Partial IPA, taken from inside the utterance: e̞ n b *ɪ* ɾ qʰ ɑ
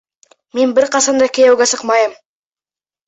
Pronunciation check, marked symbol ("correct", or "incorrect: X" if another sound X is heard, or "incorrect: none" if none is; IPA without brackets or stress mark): correct